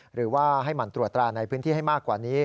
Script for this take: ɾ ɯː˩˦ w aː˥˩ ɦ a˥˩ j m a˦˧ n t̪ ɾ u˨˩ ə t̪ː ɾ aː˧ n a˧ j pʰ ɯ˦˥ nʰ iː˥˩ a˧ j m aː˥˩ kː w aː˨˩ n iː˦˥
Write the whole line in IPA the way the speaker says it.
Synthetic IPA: ɾ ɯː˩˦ w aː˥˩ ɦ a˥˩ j m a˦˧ n t̪ ɾ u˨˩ ə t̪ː ɾ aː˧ n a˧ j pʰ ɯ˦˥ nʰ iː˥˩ a˥˩ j m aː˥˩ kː w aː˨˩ n iː˦˥